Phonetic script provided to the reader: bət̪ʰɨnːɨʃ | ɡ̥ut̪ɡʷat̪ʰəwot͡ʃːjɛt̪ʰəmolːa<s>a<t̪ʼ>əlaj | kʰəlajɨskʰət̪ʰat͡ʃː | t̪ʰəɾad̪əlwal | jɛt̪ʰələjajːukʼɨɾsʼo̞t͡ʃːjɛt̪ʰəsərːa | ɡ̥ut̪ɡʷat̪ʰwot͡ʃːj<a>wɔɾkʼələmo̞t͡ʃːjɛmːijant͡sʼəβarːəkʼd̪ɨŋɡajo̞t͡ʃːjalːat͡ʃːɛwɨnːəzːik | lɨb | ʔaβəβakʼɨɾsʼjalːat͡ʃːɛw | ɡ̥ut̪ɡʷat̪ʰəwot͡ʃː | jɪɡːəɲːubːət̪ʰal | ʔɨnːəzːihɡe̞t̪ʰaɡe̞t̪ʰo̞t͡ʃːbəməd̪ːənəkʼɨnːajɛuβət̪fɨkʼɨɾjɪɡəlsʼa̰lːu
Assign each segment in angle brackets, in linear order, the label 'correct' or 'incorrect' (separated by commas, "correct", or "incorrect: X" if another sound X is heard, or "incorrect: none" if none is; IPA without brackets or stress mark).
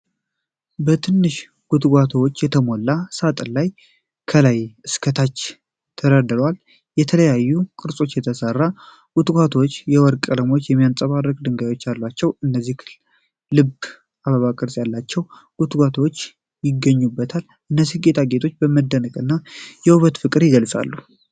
correct, correct, incorrect: ɛ